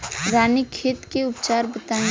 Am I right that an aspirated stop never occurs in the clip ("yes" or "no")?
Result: no